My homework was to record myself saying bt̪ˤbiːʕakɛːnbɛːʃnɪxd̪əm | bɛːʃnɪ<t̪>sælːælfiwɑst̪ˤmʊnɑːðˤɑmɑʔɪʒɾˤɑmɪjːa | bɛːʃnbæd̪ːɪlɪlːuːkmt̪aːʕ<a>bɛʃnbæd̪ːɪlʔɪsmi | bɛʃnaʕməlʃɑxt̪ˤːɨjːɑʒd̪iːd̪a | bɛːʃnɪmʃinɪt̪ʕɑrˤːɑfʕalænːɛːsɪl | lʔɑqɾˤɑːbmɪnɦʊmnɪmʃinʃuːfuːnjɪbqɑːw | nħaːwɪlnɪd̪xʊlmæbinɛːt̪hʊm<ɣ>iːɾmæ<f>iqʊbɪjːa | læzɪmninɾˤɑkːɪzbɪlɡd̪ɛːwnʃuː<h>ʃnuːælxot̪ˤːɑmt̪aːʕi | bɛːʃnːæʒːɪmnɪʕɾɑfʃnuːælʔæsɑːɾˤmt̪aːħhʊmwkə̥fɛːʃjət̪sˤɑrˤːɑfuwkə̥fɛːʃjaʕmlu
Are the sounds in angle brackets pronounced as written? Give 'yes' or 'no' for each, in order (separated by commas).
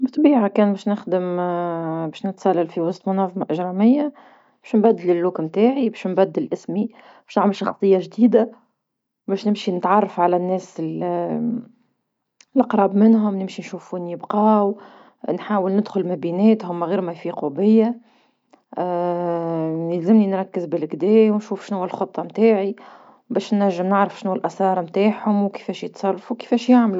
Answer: yes, no, yes, yes, no